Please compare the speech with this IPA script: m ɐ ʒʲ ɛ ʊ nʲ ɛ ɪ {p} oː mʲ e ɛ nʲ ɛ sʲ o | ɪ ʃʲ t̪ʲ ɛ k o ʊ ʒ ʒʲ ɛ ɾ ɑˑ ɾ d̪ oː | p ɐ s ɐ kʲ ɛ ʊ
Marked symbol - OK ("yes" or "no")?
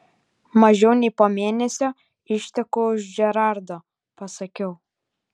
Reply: yes